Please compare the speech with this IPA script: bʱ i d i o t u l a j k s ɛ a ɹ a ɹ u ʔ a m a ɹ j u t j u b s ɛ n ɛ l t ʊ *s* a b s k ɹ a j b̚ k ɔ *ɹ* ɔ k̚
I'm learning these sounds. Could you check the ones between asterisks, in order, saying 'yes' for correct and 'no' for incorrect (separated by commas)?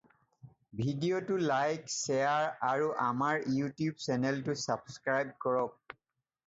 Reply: yes, yes